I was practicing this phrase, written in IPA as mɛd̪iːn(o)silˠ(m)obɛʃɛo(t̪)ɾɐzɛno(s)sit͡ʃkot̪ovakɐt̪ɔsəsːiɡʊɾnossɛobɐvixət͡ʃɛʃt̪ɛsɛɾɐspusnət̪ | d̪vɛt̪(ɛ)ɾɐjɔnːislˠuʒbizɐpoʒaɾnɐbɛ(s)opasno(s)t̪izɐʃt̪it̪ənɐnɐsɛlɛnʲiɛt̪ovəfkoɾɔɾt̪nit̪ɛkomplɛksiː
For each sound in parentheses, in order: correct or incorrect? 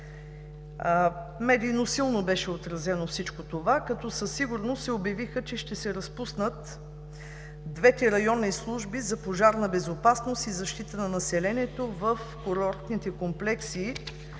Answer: correct, incorrect, correct, incorrect, correct, incorrect, correct

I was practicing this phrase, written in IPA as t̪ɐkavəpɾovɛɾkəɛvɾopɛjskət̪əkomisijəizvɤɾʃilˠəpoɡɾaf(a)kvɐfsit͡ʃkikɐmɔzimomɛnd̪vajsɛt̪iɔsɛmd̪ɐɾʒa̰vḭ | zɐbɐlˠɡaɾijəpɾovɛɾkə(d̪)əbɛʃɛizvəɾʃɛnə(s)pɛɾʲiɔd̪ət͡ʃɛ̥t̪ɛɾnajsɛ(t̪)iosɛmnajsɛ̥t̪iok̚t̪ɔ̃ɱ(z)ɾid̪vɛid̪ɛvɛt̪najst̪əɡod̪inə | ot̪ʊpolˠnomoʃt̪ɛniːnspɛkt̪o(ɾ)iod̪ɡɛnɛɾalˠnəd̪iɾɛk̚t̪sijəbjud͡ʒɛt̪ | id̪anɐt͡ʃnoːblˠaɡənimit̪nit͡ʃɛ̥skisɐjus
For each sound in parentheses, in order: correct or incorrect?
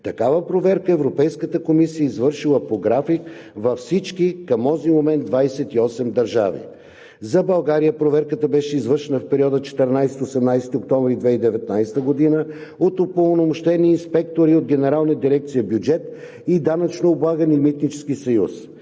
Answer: incorrect, incorrect, incorrect, correct, incorrect, correct

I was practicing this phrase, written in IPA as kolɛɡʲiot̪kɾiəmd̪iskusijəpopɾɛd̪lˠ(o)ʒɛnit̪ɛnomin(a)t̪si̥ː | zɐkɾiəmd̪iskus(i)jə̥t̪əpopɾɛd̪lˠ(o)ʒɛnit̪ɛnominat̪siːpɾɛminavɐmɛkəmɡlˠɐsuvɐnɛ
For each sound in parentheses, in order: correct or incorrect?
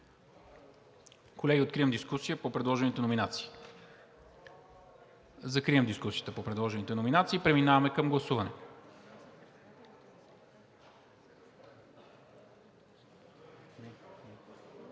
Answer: incorrect, correct, correct, incorrect

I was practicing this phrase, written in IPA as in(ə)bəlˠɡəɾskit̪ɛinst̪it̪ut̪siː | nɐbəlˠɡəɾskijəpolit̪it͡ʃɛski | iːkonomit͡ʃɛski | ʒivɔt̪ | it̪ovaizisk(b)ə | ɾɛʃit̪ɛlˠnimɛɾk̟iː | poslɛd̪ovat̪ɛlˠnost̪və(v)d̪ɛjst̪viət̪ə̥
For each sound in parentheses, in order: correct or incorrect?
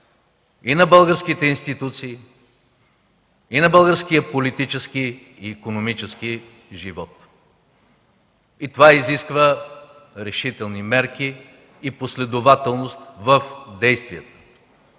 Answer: incorrect, incorrect, incorrect

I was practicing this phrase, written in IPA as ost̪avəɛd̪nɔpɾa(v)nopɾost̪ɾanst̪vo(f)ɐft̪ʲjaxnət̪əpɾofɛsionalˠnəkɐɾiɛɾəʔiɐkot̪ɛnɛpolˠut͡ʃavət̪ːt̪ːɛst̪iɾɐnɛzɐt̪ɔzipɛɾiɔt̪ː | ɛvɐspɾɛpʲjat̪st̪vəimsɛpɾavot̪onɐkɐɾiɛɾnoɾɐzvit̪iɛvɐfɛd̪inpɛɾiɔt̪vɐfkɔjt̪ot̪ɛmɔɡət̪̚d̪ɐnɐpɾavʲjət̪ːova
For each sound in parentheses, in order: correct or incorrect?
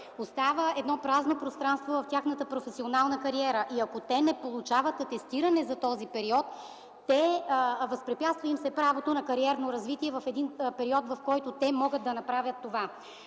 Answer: incorrect, incorrect

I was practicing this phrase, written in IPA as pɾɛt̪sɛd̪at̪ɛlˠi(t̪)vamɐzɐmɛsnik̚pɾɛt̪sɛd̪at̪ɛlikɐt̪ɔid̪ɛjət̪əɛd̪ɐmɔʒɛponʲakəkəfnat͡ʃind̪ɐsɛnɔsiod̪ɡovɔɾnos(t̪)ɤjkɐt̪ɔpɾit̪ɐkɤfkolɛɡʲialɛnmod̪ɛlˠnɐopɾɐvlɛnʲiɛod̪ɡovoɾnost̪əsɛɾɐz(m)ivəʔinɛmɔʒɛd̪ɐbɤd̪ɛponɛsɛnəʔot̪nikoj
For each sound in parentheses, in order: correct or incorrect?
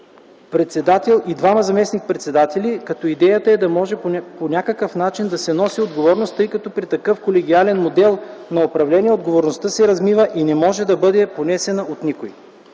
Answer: incorrect, correct, correct

